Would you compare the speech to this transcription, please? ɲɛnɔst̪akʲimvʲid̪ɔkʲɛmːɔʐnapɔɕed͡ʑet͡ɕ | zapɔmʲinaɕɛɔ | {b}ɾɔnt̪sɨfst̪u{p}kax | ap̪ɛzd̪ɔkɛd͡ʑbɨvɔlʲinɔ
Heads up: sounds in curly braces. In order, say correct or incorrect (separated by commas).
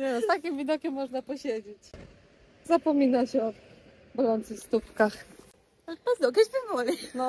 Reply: correct, correct